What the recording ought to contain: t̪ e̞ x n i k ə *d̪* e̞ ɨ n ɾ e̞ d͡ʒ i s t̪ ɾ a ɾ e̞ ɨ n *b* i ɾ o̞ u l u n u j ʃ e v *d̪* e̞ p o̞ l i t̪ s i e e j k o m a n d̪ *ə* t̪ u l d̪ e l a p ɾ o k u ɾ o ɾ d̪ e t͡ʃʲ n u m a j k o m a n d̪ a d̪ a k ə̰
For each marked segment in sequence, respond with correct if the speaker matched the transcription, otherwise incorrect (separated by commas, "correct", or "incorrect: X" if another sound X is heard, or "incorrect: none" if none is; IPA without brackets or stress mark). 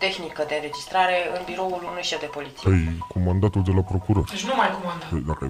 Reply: correct, correct, correct, incorrect: a